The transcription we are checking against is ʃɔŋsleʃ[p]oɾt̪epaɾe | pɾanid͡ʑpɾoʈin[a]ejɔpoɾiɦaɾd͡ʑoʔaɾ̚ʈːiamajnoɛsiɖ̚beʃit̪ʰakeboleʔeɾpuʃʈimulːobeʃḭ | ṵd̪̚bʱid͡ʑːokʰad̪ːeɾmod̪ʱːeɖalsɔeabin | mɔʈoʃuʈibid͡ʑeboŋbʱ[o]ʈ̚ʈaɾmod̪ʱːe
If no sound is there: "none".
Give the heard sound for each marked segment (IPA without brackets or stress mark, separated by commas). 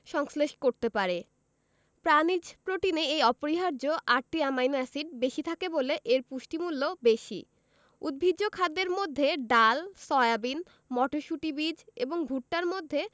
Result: k, e, u